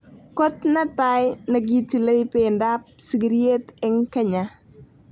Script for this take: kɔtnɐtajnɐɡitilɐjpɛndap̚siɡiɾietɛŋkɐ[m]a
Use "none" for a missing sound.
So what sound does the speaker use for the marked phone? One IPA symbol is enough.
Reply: ɲ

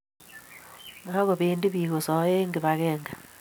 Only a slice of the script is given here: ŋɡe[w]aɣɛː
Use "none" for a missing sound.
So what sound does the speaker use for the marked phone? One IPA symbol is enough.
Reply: β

